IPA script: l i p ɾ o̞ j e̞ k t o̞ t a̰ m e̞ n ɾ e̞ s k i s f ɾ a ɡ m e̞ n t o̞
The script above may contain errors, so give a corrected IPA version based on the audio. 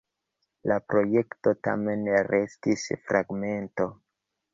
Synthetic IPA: l a p ɾ o̞ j e̞ k t o̞ t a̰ m e̞ n ɾ e̞ s t i s f ɾ a ɡ m e̞ n t o̞